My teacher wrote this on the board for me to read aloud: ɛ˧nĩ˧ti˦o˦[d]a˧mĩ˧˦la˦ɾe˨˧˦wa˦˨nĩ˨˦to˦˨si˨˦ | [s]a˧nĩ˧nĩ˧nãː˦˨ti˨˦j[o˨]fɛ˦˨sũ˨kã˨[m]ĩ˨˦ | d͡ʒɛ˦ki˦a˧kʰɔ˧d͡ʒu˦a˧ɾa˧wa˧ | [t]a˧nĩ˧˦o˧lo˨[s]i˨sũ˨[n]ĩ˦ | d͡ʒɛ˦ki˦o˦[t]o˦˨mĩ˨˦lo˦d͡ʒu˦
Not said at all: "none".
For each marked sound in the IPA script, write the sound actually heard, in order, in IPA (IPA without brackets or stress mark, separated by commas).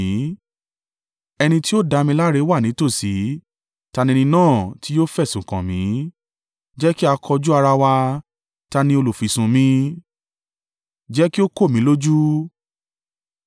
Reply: d, t, o˦, m, t, f, m, k